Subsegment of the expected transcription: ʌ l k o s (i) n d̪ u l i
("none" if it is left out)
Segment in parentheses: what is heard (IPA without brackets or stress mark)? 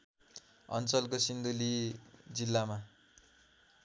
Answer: i